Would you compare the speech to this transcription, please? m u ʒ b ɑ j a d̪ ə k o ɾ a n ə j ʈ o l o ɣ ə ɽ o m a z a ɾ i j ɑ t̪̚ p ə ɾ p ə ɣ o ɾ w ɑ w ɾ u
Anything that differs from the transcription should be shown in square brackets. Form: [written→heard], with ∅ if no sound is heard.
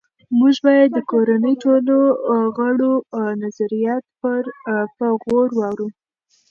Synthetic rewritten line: m u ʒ b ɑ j a [d̪→d̪ː] ə k o ɾ a n ə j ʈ o l o ɣ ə ɽ o [m→n] a z a ɾ i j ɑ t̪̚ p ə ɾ p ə ɣ o ɾ w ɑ w ɾ u